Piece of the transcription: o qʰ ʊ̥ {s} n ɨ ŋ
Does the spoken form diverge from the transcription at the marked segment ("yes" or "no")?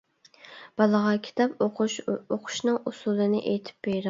yes